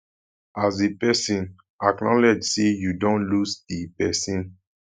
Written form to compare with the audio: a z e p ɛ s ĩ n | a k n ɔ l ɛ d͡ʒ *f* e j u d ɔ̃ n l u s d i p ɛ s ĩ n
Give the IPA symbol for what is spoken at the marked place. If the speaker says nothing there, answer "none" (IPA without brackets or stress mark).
s